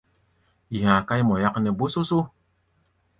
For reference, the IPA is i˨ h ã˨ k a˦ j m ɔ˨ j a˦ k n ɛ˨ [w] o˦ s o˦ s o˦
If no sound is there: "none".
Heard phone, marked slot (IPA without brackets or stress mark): b